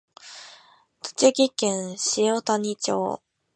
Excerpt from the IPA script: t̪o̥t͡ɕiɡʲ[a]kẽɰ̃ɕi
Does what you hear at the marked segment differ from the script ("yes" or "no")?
yes